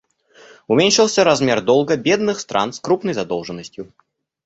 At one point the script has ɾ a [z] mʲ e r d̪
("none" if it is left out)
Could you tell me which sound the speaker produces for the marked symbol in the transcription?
z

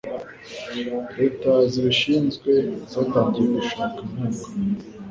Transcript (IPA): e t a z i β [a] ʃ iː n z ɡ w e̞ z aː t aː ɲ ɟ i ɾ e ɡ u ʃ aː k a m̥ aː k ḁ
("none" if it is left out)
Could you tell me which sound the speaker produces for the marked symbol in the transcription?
i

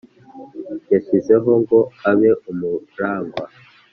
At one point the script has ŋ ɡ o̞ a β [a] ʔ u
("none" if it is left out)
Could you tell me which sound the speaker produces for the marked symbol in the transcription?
e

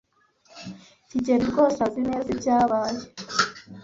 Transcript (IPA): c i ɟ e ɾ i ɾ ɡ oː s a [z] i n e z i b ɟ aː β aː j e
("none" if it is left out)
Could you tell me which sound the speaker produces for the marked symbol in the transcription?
z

